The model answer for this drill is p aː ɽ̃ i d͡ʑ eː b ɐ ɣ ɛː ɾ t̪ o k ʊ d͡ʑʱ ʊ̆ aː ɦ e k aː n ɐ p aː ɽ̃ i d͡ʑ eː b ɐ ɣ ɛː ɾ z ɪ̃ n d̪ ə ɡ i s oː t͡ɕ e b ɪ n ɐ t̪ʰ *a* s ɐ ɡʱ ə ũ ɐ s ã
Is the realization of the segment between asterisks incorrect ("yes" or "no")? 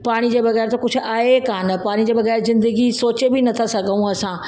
no